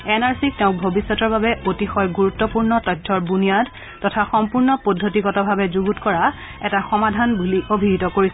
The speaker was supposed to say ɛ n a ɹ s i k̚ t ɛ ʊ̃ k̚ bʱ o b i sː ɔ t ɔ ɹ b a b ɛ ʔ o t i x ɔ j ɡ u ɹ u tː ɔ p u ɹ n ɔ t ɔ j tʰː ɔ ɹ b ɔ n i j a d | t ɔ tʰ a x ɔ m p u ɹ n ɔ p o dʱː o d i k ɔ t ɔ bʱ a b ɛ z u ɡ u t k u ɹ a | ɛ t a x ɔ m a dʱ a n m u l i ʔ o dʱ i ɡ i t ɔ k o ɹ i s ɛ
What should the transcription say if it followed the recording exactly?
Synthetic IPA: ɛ n a ɹ s i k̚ t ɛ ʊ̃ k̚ bʱ o b i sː ɔ t ɔ ɹ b a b ɛ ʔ o t i x ɔ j ɡ u ɹ u tː ɔ p u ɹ n ɔ t ɔ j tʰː ɔ ɹ b u n i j a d | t ɔ tʰ a x ɔ m p u ɹ n ɔ p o dʱː o t i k ɔ t ɔ bʱ a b ɛ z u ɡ u t k ɔ ɹ a | ɛ t a x ɔ m a dʱ a n b u l i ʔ o bʱ i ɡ i t ɔ k o ɹ i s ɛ